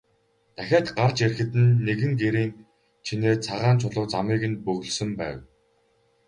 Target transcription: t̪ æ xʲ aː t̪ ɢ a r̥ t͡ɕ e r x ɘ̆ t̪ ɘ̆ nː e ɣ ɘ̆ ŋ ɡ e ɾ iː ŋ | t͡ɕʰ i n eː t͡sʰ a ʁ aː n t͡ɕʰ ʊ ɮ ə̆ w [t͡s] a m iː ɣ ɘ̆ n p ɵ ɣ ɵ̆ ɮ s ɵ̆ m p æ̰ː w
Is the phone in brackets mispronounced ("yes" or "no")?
no